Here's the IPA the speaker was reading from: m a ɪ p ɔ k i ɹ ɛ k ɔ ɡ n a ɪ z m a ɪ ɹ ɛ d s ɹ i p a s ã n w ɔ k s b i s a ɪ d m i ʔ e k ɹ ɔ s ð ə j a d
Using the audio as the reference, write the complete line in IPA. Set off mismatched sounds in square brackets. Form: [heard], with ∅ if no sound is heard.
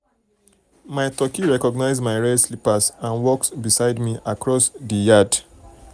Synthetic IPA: m a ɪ [t] ɔ k i ɹ ɛ k ɔ ɡ n a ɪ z m a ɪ ɹ ɛ d s [l] i p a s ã n w ɔ k s b i s a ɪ d m i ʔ [a] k ɹ ɔ s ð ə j a d